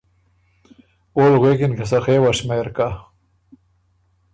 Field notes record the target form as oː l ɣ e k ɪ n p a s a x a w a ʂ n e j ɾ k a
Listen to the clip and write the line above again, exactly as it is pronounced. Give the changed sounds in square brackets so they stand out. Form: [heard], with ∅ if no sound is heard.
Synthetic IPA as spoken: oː l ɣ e k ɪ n [k] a s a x [e] w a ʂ [m] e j ɾ k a